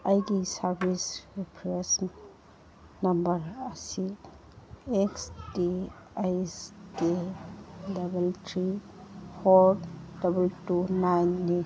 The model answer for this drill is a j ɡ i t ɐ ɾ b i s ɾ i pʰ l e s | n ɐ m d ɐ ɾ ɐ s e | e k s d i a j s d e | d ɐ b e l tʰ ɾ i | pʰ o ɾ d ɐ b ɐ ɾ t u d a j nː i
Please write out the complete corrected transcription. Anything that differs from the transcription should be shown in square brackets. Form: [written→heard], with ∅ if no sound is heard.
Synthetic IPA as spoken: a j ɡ i [t→s] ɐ ɾ b i s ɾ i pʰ [l→ɾ] e s | n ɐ m [d→b] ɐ ɾ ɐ s [e→i] | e k s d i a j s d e | d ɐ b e l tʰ ɾ i | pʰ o ɾ d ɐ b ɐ [ɾ→l] t u [d→n] a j nː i